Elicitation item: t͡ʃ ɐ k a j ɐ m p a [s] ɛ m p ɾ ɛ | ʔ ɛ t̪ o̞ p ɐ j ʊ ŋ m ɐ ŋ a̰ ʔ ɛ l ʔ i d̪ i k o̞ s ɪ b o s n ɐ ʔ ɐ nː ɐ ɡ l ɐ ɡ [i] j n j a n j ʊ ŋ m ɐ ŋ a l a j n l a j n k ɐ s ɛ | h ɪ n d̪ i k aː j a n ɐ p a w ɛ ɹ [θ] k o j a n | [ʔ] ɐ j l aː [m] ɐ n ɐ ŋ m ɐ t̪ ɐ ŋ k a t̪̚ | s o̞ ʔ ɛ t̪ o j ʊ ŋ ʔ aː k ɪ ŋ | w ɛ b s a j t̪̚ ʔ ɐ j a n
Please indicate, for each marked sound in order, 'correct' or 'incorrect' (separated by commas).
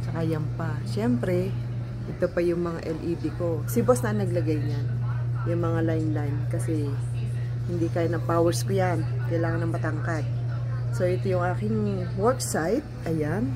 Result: incorrect, incorrect, incorrect, incorrect, incorrect